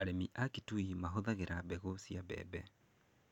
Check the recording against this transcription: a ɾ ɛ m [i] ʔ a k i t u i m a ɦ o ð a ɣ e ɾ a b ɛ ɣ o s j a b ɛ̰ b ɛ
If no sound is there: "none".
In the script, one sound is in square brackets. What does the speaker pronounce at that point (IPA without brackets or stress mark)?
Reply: i